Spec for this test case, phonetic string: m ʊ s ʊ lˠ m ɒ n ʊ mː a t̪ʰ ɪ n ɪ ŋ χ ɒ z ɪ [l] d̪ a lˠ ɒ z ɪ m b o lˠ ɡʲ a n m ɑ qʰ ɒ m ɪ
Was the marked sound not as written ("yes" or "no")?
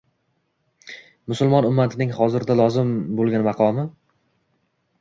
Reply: yes